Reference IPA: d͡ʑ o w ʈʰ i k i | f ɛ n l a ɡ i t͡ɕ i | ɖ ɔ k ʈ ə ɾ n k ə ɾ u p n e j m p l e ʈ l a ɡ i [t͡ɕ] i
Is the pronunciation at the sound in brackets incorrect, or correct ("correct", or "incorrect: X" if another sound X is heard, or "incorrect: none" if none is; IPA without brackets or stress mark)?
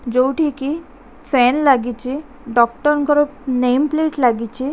correct